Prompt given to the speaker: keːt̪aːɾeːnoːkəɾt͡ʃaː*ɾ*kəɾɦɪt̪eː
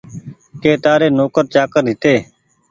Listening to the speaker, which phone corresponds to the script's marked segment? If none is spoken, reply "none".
none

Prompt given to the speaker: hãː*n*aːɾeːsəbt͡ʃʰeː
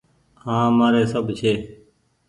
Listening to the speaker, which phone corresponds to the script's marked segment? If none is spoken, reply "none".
m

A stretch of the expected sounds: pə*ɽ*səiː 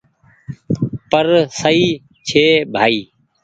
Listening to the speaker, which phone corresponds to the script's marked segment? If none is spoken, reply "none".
ɾ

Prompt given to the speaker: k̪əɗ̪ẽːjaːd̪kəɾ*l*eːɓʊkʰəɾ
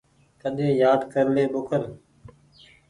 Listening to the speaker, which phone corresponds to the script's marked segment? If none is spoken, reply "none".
l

